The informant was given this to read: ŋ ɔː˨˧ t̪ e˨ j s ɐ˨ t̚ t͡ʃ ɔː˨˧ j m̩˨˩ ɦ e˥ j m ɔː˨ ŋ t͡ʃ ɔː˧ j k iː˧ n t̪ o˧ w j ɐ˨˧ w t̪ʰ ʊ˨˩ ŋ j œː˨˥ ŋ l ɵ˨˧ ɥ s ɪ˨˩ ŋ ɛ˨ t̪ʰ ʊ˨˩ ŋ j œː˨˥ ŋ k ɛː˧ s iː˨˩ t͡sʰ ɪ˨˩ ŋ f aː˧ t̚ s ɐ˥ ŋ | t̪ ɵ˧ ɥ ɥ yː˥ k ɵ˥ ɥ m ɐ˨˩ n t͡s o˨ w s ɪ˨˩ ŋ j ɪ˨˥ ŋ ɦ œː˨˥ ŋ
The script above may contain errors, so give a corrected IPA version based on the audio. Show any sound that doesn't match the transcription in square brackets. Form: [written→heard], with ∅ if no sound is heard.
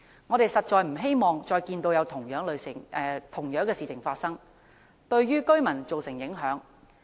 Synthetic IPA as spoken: ŋ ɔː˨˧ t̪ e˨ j s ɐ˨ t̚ t͡ʃ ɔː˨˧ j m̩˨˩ ɦ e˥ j m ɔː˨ ŋ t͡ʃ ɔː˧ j k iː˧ n t̪ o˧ w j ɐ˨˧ w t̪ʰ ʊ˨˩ ŋ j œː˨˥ ŋ l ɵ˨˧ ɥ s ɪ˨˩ ŋ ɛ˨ t̪ʰ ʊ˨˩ ŋ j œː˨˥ ŋ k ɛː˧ s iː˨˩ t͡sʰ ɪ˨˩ ŋ f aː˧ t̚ s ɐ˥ ŋ | t̪ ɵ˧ ɥ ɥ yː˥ k ɵ˥ ɥ m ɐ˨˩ n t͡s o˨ w s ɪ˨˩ ŋ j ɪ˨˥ ŋ ɦ œː˨˥ ŋ